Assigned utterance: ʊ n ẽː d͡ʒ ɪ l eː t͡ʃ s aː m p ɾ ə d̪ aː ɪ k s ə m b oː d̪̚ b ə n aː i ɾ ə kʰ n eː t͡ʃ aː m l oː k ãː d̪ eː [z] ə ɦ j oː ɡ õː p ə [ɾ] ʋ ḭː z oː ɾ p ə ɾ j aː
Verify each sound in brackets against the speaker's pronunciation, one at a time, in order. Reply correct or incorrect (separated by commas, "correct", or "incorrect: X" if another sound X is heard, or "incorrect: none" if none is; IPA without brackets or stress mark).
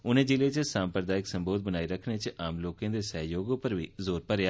incorrect: s, correct